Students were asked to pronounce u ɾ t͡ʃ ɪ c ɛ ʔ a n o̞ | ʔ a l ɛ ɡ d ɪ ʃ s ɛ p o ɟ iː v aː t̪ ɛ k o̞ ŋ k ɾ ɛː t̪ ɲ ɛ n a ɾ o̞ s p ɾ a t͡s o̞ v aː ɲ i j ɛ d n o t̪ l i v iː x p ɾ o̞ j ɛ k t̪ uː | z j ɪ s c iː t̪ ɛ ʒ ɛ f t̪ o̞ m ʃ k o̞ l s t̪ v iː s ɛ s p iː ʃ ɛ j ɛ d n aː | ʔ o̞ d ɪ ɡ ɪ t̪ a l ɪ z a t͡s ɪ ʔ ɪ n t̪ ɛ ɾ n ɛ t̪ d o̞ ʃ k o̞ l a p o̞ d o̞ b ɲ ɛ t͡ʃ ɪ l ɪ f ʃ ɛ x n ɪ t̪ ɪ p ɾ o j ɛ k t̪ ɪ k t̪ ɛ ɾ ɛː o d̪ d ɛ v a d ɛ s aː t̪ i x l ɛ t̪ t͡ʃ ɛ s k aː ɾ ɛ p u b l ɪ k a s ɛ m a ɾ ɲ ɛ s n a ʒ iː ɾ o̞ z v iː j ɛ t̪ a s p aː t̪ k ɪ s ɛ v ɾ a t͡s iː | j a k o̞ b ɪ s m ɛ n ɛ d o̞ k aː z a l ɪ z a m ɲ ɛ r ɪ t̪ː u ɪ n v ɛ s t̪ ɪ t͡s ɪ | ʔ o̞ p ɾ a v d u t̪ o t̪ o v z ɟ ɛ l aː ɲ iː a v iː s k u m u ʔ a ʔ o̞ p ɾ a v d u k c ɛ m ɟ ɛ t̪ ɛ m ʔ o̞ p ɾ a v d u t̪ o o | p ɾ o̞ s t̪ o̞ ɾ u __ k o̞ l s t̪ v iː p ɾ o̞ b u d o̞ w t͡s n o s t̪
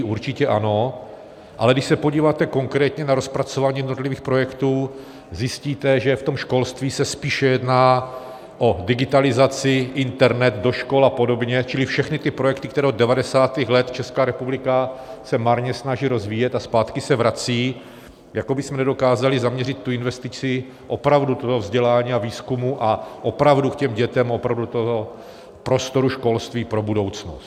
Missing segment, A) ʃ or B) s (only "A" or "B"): A